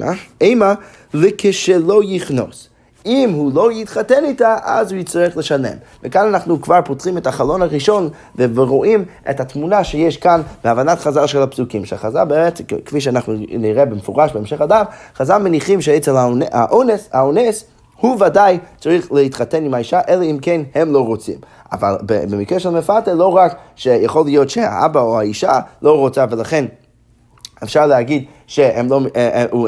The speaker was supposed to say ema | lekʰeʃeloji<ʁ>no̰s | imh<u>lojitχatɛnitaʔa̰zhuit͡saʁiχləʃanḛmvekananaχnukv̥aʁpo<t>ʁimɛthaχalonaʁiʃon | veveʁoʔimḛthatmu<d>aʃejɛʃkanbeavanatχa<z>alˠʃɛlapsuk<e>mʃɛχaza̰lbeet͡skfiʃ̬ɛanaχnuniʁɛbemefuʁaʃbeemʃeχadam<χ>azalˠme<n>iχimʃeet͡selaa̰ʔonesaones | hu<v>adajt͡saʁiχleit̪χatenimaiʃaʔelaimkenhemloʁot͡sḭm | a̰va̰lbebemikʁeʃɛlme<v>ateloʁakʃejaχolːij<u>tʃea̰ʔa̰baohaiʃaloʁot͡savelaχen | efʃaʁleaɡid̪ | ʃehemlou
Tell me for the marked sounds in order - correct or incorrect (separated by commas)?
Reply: incorrect, correct, correct, incorrect, correct, incorrect, correct, correct, correct, incorrect, incorrect